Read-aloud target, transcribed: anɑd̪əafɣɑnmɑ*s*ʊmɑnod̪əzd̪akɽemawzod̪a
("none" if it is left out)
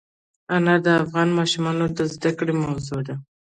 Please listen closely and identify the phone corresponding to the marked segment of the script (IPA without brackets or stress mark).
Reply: ʃ